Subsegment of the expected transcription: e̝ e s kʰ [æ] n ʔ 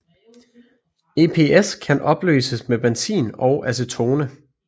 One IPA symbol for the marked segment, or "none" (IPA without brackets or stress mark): æ